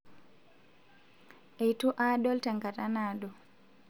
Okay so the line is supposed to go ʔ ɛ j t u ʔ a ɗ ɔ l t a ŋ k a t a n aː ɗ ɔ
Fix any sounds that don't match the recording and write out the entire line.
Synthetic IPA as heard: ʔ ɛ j t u ʔ a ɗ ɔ l t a ŋ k a t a n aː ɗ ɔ